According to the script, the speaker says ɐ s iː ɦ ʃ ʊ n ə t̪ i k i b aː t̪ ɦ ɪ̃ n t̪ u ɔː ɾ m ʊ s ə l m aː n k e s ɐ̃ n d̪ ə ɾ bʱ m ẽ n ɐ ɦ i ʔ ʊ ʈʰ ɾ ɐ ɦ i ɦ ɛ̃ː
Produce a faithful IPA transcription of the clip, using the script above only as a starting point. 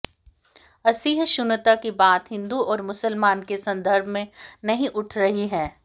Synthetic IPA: ɐ s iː ɦ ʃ ʊ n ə t̪ a k i b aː t̪ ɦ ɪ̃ n d̪ u ɔː ɾ m ʊ s ə l m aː n k e s ɐ̃ n d̪ ə ɾ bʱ m ẽ n ɐ ɦ ĩ ʔ ʊ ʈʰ ɾ ɐ ɦ i ɦ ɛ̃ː